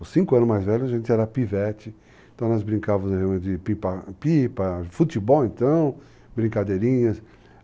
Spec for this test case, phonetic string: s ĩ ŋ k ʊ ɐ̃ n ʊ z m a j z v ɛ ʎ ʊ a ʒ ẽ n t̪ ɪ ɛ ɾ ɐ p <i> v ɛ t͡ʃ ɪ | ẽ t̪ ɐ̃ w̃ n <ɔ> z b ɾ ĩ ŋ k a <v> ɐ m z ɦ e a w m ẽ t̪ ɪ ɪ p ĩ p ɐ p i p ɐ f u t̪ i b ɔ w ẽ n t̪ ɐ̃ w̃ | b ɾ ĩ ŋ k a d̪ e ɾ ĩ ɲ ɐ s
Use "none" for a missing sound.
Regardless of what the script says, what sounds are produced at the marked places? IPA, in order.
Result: i, ɔ, v

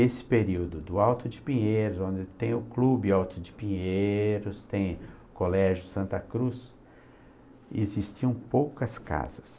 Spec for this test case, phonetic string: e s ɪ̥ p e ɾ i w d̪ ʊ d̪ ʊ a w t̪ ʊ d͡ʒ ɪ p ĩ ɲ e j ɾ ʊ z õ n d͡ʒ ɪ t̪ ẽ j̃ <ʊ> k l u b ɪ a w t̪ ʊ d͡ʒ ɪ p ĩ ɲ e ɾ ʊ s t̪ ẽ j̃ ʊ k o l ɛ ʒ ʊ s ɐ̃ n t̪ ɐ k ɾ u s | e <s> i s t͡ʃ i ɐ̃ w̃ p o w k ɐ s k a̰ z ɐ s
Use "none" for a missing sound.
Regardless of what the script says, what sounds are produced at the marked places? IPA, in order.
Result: ʊ, z

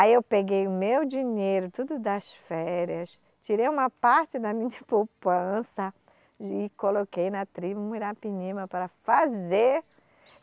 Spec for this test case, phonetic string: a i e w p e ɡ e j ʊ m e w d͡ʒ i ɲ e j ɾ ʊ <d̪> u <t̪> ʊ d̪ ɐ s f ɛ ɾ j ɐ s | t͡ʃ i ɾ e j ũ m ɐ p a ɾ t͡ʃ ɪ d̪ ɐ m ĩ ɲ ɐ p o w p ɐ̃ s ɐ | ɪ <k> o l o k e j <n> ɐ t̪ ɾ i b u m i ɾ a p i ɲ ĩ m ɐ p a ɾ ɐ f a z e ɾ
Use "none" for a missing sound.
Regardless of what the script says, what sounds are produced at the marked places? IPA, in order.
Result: t̪, d̪, k, n

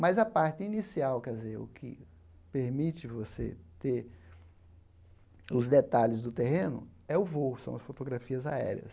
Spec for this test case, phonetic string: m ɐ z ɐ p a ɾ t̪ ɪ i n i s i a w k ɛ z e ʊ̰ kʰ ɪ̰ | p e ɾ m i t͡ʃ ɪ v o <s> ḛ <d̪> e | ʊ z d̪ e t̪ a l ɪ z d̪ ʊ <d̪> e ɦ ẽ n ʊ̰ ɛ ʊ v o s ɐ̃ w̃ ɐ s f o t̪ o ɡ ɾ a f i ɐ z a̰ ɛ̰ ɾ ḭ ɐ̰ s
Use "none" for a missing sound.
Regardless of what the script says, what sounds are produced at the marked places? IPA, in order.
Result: s, t̪, t̪

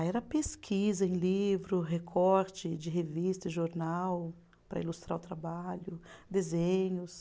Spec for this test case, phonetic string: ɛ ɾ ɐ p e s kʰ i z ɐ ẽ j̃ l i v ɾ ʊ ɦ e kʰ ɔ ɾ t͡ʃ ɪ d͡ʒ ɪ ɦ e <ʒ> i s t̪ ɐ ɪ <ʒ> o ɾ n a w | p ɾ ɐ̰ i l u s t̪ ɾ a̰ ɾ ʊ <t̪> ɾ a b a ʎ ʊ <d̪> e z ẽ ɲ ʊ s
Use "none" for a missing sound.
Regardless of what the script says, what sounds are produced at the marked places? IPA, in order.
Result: v, ʒ, t̪, d̪

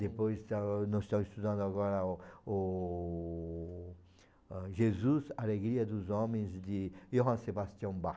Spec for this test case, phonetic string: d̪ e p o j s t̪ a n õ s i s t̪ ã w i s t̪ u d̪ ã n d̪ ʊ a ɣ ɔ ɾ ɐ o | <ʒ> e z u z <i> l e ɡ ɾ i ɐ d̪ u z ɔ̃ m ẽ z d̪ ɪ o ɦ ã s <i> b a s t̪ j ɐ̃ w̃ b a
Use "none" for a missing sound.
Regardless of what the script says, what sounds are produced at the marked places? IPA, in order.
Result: ʒ, a, e

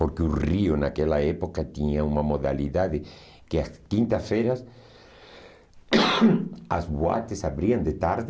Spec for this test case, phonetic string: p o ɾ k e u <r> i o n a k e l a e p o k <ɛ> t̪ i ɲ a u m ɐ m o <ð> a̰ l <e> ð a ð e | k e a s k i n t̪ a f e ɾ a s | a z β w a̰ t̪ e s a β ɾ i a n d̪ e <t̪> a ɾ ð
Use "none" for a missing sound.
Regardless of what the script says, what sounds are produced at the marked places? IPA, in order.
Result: r, a, ð, i, t̪

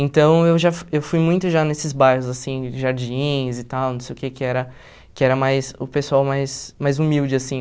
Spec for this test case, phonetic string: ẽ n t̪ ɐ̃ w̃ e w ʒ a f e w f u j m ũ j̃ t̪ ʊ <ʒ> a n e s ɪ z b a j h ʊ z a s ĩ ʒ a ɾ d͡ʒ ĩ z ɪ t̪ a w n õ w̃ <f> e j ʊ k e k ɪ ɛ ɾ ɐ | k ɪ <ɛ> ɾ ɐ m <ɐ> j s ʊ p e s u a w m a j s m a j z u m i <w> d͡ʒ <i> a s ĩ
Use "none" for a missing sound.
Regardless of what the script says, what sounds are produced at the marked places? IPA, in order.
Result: ʒ, s, ɛ, a, w, ɪ

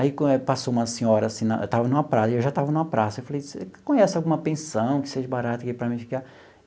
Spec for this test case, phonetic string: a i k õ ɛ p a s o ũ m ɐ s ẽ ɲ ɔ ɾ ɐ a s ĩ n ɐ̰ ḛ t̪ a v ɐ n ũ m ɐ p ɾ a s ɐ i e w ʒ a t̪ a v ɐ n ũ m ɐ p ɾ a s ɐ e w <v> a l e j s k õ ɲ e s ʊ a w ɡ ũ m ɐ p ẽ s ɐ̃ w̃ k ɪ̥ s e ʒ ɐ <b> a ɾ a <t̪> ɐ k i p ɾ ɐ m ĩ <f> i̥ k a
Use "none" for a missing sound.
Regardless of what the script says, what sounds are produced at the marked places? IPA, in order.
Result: f, b, t̪, f

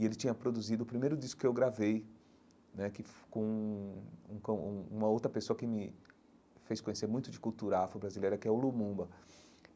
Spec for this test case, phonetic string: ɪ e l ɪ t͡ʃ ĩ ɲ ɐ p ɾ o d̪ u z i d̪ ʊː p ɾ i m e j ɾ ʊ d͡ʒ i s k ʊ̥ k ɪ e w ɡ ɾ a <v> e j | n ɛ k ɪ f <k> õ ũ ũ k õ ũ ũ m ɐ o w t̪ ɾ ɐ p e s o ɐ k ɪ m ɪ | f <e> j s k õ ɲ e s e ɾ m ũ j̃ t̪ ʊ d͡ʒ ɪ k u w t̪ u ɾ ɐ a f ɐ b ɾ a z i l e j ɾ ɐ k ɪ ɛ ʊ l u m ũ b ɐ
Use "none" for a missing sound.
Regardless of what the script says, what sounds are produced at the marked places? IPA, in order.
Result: v, k, e

